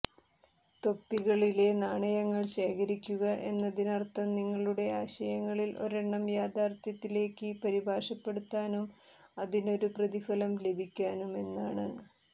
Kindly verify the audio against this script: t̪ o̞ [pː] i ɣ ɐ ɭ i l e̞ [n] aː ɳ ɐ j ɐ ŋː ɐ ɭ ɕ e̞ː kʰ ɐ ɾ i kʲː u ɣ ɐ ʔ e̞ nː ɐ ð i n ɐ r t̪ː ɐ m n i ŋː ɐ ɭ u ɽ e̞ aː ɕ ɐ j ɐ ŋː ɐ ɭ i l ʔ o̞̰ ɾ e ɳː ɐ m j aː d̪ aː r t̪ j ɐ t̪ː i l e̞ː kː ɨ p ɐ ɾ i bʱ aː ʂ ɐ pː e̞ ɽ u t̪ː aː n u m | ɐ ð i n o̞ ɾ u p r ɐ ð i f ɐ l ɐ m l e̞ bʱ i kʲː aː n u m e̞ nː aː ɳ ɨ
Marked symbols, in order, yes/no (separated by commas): yes, yes